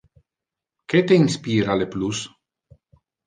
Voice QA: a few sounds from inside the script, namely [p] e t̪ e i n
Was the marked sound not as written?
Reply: yes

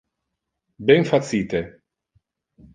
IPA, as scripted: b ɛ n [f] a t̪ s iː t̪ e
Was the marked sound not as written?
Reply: no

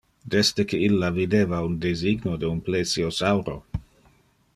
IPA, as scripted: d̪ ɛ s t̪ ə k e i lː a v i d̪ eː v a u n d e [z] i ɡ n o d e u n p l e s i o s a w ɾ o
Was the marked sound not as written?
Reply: no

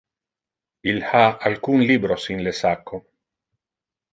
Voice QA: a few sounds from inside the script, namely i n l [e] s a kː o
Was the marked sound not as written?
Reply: no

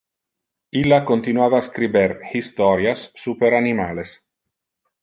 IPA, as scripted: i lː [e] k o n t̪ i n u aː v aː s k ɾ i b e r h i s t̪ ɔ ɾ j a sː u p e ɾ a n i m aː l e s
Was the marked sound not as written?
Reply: yes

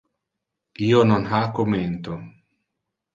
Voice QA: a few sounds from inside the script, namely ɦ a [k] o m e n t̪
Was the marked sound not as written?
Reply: no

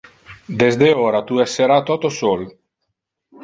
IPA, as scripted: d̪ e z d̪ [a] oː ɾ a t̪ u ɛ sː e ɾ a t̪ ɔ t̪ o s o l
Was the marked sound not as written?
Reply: yes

